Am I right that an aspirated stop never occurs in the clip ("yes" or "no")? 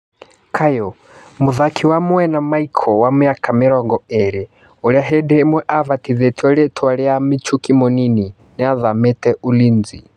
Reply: no